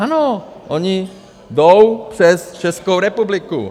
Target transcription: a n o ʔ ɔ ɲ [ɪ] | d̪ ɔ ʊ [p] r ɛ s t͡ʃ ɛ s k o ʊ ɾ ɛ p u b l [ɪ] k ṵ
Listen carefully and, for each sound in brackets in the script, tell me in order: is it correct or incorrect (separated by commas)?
incorrect, correct, incorrect